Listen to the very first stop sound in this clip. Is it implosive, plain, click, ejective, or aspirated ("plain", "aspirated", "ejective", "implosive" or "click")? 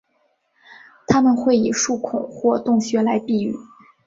aspirated